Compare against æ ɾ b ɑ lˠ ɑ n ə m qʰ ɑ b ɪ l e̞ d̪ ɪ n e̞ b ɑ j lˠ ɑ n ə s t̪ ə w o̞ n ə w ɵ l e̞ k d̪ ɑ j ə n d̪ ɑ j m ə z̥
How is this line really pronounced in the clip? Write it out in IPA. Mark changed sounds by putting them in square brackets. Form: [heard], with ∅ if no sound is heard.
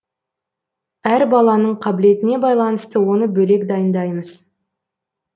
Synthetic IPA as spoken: æ ɾ b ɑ lˠ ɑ n ə [ɴ] qʰ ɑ b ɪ l e̞ [t̪] ɪ n e̞ b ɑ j lˠ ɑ n ə s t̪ ə w o̞ n ə [b] ɵ l e̞ k d̪ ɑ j ə n d̪ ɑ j m ə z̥